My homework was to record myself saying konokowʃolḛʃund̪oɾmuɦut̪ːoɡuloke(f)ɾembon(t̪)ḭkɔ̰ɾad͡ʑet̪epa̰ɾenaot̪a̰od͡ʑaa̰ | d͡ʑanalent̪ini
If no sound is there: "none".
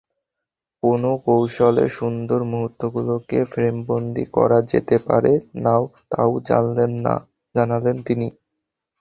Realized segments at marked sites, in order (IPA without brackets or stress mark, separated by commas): f, d̪